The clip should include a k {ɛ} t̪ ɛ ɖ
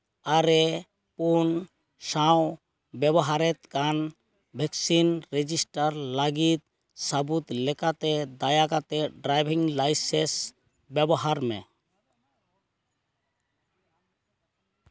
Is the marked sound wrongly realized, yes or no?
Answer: yes